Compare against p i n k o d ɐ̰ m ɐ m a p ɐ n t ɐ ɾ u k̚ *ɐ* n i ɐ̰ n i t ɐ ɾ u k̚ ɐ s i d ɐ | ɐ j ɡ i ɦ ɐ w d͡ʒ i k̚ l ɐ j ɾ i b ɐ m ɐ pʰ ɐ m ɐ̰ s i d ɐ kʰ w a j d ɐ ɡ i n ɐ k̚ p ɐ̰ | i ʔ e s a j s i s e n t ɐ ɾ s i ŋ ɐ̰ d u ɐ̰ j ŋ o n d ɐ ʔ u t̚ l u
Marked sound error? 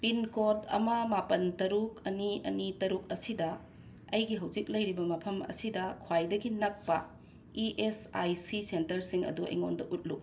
no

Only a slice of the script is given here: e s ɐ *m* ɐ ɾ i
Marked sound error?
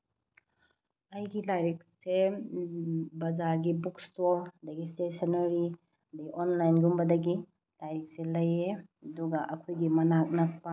yes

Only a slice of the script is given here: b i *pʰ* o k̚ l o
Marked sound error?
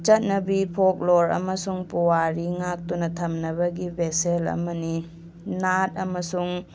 no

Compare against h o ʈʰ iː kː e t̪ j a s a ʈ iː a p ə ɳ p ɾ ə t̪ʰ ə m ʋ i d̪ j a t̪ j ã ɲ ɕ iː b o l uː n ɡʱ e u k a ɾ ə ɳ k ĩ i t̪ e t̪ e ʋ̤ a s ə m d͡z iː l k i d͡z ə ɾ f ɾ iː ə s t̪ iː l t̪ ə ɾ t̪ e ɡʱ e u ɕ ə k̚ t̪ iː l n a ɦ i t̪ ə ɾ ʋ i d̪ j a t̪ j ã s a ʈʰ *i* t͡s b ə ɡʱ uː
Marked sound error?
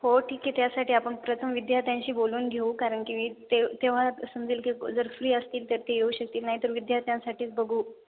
yes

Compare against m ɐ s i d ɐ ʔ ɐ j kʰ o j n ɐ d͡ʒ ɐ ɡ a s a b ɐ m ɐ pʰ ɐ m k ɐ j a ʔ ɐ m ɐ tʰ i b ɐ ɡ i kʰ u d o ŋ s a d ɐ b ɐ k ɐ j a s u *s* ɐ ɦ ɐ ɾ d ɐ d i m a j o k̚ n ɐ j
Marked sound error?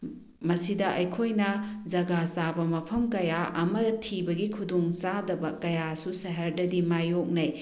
no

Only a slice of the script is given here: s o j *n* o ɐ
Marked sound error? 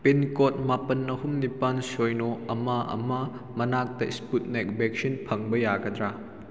no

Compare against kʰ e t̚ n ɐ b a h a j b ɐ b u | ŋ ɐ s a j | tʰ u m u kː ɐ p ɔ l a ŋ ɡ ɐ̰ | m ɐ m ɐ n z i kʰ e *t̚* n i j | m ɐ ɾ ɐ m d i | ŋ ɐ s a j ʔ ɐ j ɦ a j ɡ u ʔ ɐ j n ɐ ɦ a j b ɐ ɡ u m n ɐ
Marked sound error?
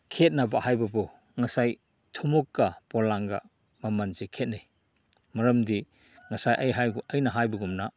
no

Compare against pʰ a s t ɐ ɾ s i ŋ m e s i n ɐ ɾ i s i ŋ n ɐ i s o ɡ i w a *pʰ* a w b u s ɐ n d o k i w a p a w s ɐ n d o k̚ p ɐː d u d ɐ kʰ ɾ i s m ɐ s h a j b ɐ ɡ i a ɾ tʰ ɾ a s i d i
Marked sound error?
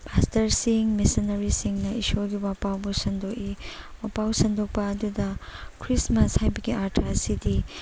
yes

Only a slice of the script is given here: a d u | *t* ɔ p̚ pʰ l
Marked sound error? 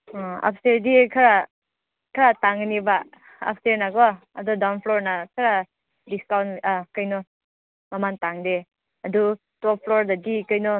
no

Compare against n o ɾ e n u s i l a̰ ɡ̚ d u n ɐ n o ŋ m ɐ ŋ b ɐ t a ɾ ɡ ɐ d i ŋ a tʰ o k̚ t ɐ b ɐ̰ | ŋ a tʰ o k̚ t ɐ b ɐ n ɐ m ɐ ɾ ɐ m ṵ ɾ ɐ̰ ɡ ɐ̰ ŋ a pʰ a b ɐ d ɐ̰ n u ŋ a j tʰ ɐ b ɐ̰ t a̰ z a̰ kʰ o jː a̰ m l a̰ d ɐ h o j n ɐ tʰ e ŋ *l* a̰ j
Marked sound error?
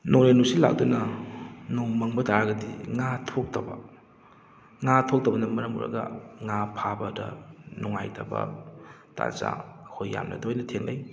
no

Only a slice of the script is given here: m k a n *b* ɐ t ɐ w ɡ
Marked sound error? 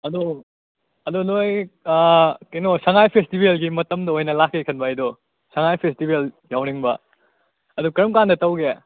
yes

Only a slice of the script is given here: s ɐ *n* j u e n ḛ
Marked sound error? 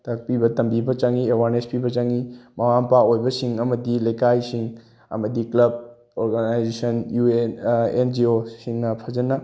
no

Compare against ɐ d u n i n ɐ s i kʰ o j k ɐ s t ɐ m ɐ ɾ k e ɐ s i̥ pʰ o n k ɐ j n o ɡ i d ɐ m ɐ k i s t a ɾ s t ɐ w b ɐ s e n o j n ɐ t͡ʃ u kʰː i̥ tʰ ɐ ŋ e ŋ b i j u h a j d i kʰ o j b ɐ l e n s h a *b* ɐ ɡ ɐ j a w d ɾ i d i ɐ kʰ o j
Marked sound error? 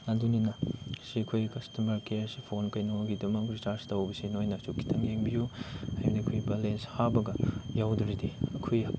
no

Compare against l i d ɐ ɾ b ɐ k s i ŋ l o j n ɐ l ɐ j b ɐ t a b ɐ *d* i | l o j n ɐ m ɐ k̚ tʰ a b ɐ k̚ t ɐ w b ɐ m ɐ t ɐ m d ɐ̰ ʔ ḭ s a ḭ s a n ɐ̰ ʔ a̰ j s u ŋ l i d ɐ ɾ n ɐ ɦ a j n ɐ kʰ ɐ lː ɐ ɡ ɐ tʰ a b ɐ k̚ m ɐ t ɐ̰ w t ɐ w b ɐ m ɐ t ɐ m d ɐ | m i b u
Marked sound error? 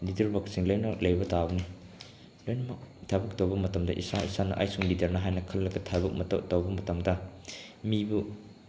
yes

